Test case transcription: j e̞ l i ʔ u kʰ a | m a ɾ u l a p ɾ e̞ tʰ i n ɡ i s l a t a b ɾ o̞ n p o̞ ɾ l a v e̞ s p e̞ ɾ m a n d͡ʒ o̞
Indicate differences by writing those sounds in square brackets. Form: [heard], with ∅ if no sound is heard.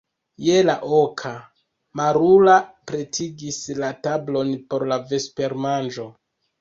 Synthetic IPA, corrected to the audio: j e̞ l [a] ʔ [o] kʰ a | m a ɾ u l a p ɾ e̞ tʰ i [∅] ɡ i s l a t a b [l] o̞ n p o̞ ɾ l a v e̞ s p e̞ ɾ m a n d͡ʒ o̞